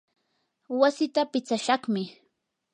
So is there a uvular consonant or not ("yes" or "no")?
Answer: yes